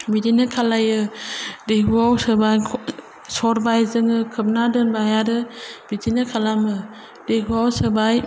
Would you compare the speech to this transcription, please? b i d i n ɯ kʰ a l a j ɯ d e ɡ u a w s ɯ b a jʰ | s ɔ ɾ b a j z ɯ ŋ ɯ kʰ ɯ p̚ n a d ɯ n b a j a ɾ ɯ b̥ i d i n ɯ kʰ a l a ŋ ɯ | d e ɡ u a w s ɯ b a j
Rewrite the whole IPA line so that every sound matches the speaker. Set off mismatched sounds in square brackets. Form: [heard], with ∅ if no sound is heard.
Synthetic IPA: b i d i n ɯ kʰ a l a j ɯ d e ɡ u a w s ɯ b a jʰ | s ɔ ɾ b a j z ɯ ŋ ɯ kʰ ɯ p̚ n a d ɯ n b a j a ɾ ɯ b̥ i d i n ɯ kʰ a l a [m] ɯ | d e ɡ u a w s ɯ b a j